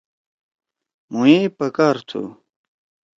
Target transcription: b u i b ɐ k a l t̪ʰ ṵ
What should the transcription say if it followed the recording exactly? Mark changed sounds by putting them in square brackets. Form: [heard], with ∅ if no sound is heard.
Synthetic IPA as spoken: [m] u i [p] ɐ k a [ɾ] t̪ʰ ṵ